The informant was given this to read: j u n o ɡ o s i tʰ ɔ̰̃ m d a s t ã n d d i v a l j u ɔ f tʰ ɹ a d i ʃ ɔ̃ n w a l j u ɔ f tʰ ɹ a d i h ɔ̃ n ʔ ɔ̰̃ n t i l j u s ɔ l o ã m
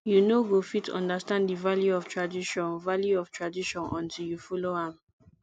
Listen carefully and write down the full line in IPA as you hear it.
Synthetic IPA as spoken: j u n o ɡ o f i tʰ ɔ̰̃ n d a s t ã n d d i v a l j u ɔ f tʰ ɹ a d i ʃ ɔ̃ n v a l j u ɔ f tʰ ɹ a d i ʃ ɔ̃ n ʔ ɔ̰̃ n t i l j u f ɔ l o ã m

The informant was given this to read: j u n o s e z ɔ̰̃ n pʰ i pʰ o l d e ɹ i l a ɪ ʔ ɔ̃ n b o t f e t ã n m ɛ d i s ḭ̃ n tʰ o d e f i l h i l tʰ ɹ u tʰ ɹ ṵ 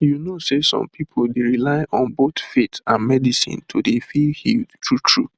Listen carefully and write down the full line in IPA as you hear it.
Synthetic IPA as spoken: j u n o s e s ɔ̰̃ m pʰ i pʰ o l d e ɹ i l a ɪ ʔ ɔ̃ n b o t f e t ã n m ɛ d i s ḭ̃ n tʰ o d e f i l h i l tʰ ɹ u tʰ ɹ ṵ

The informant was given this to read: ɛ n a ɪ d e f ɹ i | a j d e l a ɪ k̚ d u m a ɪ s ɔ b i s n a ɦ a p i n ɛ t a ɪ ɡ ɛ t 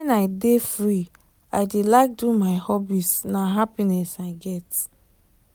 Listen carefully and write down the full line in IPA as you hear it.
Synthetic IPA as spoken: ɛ n a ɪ d e f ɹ i | a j d e l a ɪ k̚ d u m a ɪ h ɔ b i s n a ɦ a p i n ɛ s a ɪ ɡ ɛ t

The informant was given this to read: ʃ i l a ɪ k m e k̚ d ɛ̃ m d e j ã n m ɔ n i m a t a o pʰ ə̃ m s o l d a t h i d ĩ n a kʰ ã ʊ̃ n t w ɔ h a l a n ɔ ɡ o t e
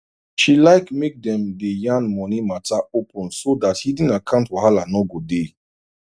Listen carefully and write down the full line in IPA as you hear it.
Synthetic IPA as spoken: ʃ i l a ɪ k m e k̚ d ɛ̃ m d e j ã n m ɔ n i m a t a o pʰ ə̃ n s o d a t h i d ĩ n a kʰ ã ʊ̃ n t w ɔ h a l a n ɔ ɡ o d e

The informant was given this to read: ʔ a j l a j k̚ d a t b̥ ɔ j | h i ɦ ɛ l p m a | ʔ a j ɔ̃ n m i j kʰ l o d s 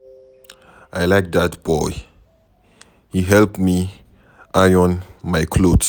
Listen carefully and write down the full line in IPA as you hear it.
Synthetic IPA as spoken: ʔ a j l a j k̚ d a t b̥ ɔ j | h i ɦ ɛ l p m i | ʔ a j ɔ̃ n m a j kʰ l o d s

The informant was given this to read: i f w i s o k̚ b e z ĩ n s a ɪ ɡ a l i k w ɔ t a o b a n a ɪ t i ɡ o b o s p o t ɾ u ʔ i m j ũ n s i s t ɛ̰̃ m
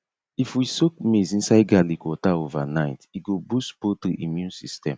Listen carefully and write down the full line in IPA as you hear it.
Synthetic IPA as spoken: i f w i s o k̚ m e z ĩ n s a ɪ ɡ a l i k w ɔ t a o v a n a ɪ t i ɡ o b u s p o t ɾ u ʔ i m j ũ n s i s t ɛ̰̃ m

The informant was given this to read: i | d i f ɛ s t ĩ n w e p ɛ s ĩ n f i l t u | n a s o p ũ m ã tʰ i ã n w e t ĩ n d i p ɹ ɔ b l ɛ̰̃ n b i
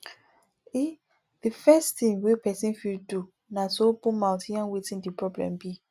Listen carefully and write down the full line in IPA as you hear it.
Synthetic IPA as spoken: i | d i f ɛ s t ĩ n w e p ɛ s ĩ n f i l d u | n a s o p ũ m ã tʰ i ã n w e t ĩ n d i p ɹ ɔ b l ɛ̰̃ m b i

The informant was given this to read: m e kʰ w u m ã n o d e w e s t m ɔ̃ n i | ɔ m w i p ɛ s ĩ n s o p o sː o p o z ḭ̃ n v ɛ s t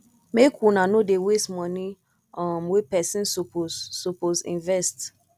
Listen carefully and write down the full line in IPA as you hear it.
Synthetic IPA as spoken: m e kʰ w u n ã n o d e w e s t m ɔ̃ n i | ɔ m w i p ɛ s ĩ n s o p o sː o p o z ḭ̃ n v ɛ s t

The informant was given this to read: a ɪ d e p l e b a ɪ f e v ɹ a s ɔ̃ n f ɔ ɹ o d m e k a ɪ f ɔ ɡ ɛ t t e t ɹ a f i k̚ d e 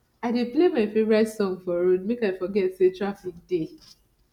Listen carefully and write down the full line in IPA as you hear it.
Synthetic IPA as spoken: a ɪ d e p l e m a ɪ f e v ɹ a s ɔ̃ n f ɔ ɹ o d m e k a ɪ f ɔ ɡ ɛ t s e t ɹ a f i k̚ d e

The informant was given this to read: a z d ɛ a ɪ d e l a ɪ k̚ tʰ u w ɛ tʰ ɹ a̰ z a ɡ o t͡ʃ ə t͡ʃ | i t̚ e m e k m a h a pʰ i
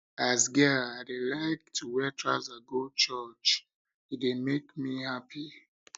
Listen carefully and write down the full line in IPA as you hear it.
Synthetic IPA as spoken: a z ɡ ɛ a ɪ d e l a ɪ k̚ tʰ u w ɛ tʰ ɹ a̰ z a ɡ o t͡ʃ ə t͡ʃ | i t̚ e m e k m i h a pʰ i

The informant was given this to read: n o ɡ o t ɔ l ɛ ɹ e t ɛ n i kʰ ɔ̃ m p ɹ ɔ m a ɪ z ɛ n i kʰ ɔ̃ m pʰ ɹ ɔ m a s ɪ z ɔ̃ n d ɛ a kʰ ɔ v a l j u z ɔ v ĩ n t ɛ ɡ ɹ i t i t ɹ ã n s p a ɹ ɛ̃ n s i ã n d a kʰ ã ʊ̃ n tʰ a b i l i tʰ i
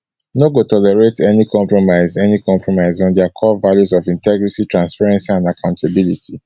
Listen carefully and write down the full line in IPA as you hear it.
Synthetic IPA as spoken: n o ɡ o t ɔ l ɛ ɹ e t ɛ n i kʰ ɔ̃ m p ɹ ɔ m a ɪ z ɛ n i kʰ ɔ̃ m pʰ ɹ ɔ m a ɪ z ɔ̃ n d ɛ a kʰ ɔ v a l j u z ɔ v ĩ n t ɛ ɡ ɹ i t i t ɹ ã n s p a ɹ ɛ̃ n s i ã n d a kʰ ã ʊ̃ n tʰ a b i l i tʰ i

